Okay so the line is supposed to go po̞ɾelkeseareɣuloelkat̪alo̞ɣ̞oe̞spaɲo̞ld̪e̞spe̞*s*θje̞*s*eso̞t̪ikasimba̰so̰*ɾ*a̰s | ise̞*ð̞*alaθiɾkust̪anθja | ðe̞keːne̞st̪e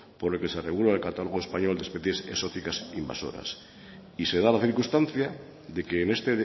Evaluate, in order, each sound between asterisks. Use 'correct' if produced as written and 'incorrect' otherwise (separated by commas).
incorrect, correct, correct, correct